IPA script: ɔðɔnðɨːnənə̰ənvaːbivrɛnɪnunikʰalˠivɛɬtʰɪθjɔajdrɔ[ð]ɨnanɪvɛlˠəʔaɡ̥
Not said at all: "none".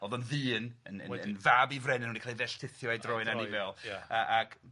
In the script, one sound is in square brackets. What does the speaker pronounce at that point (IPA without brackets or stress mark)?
none